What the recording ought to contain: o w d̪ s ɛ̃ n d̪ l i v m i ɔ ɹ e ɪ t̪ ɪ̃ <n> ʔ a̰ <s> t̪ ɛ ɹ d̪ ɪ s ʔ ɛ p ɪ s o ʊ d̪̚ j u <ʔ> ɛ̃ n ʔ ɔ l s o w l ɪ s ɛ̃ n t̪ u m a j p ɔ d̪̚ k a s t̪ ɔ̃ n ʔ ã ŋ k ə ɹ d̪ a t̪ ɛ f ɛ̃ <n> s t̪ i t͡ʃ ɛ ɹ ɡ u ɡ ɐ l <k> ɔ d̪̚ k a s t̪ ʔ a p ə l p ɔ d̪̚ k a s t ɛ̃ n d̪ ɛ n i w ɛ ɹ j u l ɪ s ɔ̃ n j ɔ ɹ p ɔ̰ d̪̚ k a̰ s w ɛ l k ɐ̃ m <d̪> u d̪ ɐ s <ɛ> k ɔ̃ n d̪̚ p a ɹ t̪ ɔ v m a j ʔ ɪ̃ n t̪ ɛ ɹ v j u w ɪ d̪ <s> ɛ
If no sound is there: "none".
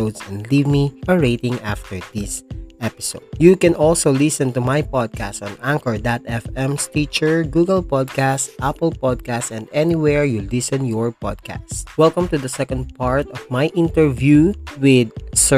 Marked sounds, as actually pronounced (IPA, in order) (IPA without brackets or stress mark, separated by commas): ŋ, f, k, m, p, t̪, ɛ, s